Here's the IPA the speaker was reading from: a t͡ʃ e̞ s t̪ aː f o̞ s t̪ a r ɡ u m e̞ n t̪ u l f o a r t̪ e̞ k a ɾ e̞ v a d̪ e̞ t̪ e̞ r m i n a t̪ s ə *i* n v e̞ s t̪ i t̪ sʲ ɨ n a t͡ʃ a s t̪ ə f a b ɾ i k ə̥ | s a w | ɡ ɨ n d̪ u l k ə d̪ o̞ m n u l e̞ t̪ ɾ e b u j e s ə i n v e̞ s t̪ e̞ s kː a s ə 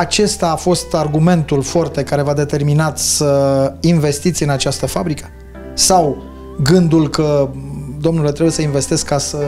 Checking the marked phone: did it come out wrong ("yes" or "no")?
no